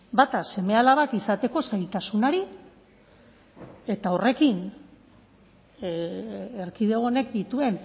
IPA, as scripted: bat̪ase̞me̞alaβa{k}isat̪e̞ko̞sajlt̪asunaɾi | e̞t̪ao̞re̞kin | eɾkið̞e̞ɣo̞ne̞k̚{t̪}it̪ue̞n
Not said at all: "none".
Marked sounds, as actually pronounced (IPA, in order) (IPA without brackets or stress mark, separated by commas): k, d̪